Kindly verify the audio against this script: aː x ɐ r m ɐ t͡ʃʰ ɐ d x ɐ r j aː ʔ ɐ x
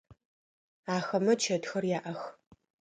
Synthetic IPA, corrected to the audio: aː x ɐ m ɐ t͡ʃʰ ɐ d x ɐ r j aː ʔ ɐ x